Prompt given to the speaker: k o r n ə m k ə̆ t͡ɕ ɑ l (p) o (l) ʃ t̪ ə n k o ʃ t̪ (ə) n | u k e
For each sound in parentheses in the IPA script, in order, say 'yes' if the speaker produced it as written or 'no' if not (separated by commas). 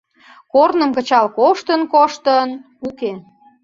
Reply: no, no, yes